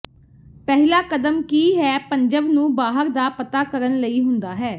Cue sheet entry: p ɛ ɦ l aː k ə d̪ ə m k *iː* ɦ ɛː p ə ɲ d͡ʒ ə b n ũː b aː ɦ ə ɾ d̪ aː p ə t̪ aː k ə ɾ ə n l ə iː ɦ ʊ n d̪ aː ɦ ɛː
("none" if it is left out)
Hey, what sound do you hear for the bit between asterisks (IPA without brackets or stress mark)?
iː